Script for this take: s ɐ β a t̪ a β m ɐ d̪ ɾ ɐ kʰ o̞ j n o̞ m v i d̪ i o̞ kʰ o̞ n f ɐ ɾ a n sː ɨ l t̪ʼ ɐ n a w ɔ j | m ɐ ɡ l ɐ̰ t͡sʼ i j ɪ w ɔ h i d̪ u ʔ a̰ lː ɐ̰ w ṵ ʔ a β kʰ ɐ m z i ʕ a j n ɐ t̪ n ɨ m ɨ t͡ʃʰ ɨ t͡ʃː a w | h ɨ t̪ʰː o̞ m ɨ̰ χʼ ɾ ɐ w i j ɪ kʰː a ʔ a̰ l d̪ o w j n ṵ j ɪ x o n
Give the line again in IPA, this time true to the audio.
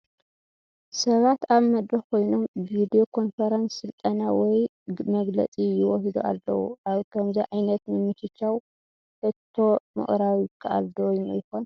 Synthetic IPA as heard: s ɐ β a t̪ a β m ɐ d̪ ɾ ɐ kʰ o̞ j n o̞ m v i d̪ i o̞ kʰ o̞ n f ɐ ɾ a n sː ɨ l t̪ʼ ɐ n a w ɔ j | m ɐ ɡ l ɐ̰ t͡sʼ i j ɪ w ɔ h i d̪ u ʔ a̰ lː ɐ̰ w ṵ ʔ a β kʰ ɐ m z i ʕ a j n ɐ t̪ n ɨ m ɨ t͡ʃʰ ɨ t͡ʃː a w | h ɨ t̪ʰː o̞ m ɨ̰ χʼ ɾ a w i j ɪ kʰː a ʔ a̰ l d̪ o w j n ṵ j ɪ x o n